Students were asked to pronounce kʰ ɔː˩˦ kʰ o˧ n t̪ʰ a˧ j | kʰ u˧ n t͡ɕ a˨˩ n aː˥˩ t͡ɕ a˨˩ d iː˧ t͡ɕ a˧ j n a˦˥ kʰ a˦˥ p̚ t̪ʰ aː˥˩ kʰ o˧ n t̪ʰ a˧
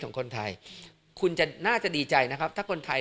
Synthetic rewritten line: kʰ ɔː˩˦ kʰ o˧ n t̪ʰ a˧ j | kʰ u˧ n t͡ɕ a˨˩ n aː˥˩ t͡ɕ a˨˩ d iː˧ t͡ɕ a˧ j n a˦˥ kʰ a˦˥ p̚ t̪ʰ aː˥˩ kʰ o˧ n t̪ʰ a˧